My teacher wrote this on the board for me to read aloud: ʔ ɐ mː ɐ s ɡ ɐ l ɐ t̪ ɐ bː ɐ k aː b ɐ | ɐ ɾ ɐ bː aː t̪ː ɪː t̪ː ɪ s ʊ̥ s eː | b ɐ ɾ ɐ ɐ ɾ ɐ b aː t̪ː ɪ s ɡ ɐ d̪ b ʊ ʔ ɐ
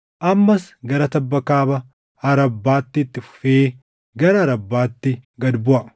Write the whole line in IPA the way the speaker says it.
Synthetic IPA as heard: ʔ ɐ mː ɐ s ɡ ɐ ɾ ɐ t̪ ɐ bː ɐ k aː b ɐ | ɐ ɾ ɐ bː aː t̪ː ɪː t̪ː ɪ f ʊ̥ f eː | ɡ ɐ ɾ ɐ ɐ ɾ ɐ bː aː t̪ː ɪ ɡ ɐ d̪ b ʊ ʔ ɐ

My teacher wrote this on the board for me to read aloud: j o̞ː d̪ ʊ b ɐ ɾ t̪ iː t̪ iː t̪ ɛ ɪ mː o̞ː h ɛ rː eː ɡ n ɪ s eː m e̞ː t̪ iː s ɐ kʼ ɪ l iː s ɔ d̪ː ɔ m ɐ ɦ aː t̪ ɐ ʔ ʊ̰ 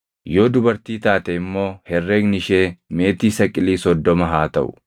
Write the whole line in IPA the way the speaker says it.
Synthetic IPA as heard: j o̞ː d̪ ʊ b ɐ ɾ t̪ iː t̪ aː t̪ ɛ ɪ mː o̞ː h ɛ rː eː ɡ n ɪ ʃ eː m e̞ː t̪ iː s ɐ kʼ ɪ l iː s ɔ d̪ː ɔ m ɐ ɦ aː t̪ ɐ ʔ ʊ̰

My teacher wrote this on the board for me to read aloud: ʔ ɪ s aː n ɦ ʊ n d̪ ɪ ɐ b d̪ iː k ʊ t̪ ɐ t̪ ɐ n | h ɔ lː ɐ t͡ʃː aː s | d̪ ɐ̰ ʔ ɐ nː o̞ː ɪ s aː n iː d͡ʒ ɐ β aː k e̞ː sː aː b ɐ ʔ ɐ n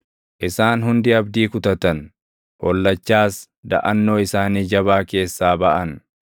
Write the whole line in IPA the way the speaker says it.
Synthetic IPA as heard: ʔ ɪ s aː n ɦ ʊ n d̪ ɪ ɐ b d̪ iː k ʊ t̪ ɐ t̪ ɐ n | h ɔ lː ɐ t͡ʃː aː s | d̪ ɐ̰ ʔ ɐ nː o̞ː ɪ s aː n iː d͡ʒ ɐ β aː k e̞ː sː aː b ɐ ʔ ɐ n

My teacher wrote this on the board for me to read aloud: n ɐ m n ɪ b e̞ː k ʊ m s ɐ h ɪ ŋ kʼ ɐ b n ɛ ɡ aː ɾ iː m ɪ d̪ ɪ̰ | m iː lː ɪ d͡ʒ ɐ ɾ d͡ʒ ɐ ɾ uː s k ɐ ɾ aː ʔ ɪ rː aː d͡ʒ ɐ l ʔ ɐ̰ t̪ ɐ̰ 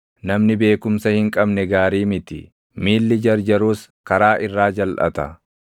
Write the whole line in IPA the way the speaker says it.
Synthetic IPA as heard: n ɐ m n ɪ b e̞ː k ʊ m s ɐ h ɪ ŋ kʼ ɐ b n ɛ ɡ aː ɾ iː m ɪ t̪ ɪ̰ | m iː lː ɪ d͡ʒ ɐ ɾ d͡ʒ ɐ ɾ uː s k ɐ ɾ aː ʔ ɪ rː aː d͡ʒ ɐ l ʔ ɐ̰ t̪ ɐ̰

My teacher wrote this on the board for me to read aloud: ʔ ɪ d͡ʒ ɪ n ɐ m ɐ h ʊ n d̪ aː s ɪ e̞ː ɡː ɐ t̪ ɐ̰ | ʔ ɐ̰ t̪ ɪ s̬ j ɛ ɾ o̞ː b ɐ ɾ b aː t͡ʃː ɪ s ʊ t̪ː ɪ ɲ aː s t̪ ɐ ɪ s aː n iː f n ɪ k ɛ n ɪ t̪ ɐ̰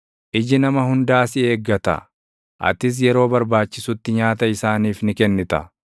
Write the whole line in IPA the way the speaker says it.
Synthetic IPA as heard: ʔ ɪ d͡ʒ ɪ n ɐ m ɐ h ʊ n d̪ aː s ɪ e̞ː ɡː ɐ t̪ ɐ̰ | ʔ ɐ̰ t̪ ɪ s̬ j ɛ ɾ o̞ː b ɐ ɾ b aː t͡ʃː ɪ s ʊ t̪ː ɪ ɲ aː t̪ ɐ ɪ s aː n iː f n ɪ k ɛ nː ɪ t̪ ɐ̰

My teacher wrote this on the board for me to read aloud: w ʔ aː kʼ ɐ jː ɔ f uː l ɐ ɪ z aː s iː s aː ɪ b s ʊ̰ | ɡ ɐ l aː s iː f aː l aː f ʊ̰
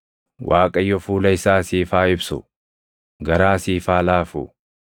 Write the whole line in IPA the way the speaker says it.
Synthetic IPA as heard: w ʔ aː kʼ ɐ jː ɔ f uː l ɐ ɪ s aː s iː f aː ɪ b s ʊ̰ | ɡ ɐ ɾ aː s iː f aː l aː f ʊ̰

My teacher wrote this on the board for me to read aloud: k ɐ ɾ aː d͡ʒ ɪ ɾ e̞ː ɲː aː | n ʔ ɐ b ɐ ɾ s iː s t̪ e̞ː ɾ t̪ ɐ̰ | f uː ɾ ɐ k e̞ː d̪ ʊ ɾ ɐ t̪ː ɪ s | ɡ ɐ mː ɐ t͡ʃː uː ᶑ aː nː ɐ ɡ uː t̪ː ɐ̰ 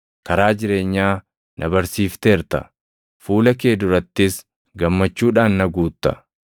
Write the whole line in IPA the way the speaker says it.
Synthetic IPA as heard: k ɐ ɾ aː d͡ʒ ɪ ɾ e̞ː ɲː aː | n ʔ ɐ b ɐ ɾ s iː f t̪ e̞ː ɾ t̪ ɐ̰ | f uː l ɐ k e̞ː d̪ ʊ ɾ ɐ t̪ː ɪ s | ɡ ɐ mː ɐ t͡ʃː uː ᶑ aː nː ɐ ɡ uː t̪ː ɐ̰

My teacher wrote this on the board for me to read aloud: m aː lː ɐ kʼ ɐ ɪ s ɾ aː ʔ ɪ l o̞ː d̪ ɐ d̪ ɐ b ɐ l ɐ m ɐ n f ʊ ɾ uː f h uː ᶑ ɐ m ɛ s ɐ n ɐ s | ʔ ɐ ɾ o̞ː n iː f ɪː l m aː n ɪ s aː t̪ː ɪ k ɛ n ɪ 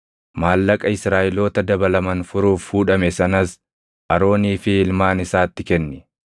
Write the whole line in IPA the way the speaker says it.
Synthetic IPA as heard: m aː lː ɐ kʼ ɐ ɪ s ɾ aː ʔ ɪ l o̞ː t̪ ɐ d̪ ɐ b ɐ l ɐ m ɐ n f ʊ ɾ uː f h uː ᶑ ɐ m ɛ s ɐ n ɐ s | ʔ ɐ ɾ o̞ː n iː f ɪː l m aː n ɪ s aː t̪ː ɪ k ɛ nː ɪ

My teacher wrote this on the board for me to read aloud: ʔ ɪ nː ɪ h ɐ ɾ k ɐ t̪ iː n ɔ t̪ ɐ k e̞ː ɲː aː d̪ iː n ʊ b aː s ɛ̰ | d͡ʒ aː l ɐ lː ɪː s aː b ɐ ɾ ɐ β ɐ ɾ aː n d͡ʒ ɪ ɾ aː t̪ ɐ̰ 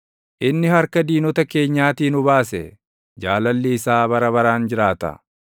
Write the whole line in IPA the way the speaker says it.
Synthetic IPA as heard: ʔ ɪ nː ɪ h ɐ ɾ k ɐ d̪ iː n ɔ t̪ ɐ k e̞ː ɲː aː t̪ iː n ʊ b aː s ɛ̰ | d͡ʒ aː l ɐ lː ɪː s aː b ɐ ɾ ɐ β ɐ ɾ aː n d͡ʒ ɪ ɾ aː t̪ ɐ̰

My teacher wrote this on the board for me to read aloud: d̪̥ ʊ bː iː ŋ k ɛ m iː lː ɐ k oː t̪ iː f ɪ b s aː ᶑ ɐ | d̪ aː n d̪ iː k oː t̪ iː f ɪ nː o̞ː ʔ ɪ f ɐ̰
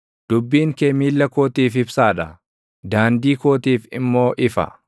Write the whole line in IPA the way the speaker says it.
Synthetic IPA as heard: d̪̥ ʊ bː iː ŋ k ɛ m iː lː ɐ k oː t̪ iː f ɪ b s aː ᶑ ɐ | d̪ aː n d̪ iː k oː t̪ iː f ɪ mː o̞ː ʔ ɪ f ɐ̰

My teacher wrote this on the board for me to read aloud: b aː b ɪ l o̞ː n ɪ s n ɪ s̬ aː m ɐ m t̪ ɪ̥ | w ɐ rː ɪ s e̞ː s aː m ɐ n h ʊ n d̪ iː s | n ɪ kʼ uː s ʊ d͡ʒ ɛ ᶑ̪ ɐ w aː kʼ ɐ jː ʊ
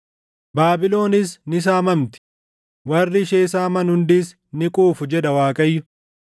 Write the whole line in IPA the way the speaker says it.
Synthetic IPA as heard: b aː b ɪ l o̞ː n ɪ s n ɪ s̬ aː m ɐ m t̪ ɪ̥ | w ɐ rː ɪ ʃ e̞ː s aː m ɐ n h ʊ n d̪ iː s | n ɪ kʼ uː f ʊ d͡ʒ ɛ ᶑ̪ ɐ w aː kʼ ɐ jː ʊ

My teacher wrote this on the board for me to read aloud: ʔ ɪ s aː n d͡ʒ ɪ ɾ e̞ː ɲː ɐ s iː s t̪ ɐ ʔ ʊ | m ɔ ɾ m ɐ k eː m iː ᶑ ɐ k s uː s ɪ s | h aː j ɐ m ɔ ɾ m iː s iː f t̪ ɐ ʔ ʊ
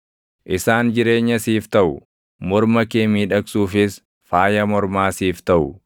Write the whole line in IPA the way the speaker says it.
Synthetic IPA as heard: ʔ ɪ s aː n d͡ʒ ɪ ɾ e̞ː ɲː ɐ s iː f t̪ ɐ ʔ ʊ | m ɔ ɾ m ɐ k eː m iː ᶑ ɐ k s uː f ɪ s | f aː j ɐ m ɔ ɾ m aː s iː f t̪ ɐ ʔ ʊ

